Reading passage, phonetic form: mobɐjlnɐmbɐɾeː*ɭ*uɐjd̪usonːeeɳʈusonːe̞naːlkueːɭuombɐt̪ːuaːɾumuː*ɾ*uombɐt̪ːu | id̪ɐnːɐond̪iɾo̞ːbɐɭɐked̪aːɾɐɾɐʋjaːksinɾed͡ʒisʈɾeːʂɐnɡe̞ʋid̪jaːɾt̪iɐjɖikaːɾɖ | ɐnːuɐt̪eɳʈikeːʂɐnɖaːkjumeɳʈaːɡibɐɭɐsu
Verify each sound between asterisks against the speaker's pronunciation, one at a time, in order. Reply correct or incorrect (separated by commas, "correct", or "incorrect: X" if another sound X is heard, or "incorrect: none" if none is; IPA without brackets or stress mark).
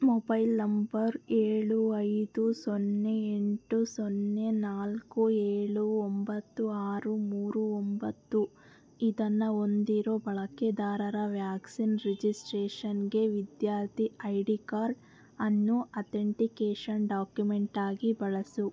correct, correct